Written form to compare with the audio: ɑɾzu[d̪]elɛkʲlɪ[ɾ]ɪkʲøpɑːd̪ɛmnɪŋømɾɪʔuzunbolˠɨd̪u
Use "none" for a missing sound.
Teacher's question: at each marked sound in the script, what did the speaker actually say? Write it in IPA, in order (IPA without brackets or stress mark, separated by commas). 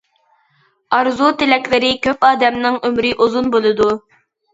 t̪, ɾ